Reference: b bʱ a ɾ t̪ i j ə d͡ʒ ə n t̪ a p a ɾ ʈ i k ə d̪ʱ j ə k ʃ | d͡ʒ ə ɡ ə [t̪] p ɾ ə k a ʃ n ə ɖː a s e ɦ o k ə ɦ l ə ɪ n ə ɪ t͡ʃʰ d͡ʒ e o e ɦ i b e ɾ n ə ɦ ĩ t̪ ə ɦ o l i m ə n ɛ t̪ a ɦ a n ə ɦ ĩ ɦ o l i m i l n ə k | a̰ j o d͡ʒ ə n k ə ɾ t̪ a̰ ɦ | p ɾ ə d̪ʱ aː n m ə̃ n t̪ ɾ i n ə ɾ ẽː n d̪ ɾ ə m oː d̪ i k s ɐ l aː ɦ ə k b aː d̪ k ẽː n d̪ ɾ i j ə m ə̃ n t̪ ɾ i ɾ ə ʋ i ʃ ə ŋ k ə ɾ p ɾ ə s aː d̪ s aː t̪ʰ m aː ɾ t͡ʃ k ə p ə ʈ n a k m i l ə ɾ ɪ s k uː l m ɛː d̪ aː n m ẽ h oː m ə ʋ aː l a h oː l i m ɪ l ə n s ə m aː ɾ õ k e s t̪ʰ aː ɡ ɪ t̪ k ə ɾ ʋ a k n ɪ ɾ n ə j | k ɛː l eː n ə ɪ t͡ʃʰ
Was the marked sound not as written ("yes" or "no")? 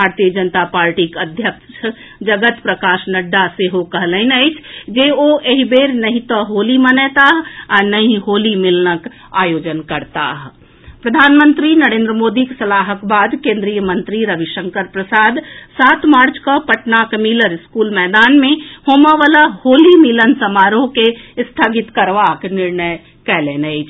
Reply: no